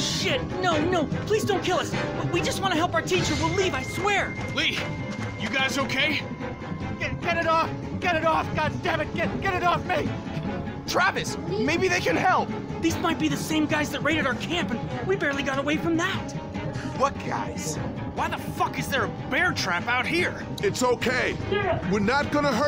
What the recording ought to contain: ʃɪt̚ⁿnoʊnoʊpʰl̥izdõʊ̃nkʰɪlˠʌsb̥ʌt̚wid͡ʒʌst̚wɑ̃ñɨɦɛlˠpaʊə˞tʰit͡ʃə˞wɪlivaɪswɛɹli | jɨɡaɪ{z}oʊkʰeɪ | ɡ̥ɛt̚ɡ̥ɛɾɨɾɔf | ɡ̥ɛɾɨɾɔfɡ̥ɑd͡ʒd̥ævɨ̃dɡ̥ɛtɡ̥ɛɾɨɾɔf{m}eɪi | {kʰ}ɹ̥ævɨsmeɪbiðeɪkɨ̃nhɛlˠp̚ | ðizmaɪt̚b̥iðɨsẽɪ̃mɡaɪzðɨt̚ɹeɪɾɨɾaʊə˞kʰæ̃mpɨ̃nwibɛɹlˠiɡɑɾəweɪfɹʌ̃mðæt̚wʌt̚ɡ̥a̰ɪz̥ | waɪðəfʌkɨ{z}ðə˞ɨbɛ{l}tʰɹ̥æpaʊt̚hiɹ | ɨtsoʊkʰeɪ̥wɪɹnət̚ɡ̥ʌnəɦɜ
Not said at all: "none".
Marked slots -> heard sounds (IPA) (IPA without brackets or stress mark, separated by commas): z, m, tʰ, z, ɹ